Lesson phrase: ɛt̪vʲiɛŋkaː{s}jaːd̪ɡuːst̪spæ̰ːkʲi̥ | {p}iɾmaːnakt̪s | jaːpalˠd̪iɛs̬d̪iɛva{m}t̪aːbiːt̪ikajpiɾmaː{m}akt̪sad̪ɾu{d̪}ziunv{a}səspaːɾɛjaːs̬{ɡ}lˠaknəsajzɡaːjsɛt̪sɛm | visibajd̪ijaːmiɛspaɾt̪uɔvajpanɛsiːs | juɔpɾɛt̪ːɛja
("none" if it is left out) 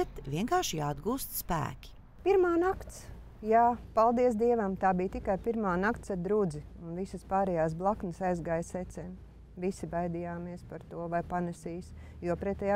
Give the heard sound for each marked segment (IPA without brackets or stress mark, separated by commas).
ʃ, p, m, n, d̪, i, b